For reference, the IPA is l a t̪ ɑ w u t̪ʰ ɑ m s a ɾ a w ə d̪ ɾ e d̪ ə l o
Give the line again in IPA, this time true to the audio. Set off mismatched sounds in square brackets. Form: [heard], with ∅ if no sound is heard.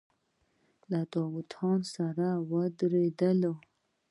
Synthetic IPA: l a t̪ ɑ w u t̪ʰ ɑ [n] s a ɾ a w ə d̪ ɾ e d̪ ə l o